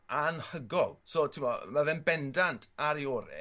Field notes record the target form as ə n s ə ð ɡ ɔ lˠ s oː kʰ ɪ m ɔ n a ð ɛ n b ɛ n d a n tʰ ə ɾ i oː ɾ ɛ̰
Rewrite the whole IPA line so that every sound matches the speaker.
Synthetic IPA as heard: a n h ə ɡ ɔ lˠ s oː tʰ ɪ m ɔ m a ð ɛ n b ɛ n d a n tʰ a ɾ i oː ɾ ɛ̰